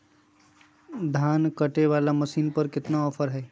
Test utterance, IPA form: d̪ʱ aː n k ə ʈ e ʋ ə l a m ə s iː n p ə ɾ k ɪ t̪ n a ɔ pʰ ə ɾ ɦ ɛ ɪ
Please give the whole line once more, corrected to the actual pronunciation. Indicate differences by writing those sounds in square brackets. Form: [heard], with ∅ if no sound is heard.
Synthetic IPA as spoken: d̪ʱ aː n k ə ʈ e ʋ [a] l a m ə s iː n p ə ɾ k ɪ t̪ n a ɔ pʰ ə ɾ ɦ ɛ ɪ